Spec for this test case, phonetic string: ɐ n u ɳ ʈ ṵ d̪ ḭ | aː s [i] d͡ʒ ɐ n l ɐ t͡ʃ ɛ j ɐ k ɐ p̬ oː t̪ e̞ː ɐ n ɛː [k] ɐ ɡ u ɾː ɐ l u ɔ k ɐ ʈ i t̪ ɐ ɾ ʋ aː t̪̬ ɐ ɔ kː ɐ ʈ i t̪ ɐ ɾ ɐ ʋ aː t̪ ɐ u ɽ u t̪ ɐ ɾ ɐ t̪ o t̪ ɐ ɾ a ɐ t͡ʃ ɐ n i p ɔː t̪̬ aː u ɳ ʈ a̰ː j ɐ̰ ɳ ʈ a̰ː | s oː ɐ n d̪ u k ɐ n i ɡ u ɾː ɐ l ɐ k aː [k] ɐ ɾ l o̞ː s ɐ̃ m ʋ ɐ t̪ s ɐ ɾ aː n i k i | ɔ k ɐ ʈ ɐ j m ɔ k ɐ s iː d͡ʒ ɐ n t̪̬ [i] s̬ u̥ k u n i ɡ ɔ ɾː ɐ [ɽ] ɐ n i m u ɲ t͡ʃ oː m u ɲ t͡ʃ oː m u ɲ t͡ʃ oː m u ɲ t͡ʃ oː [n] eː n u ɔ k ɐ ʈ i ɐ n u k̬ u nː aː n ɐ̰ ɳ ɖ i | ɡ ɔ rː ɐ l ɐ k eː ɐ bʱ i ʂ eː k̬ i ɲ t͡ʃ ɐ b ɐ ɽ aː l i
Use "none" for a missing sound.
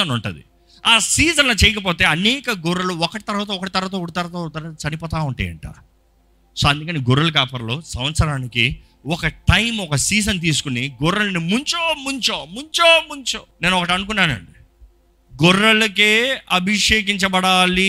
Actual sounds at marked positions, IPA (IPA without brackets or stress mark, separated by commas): iː, k, p, iː, l, n